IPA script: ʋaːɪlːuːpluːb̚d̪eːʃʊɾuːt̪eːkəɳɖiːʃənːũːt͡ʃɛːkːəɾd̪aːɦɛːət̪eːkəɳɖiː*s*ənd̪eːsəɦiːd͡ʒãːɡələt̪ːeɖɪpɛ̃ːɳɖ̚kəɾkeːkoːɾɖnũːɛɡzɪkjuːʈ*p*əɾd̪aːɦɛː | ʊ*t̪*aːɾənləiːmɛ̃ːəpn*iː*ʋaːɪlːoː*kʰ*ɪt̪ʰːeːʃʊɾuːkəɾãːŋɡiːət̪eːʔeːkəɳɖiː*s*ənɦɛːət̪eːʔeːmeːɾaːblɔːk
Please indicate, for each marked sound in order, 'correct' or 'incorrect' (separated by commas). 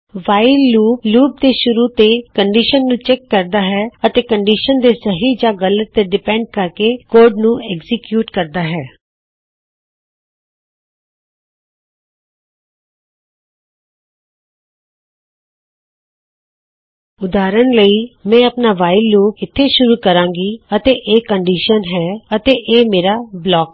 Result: incorrect, incorrect, incorrect, incorrect, incorrect, incorrect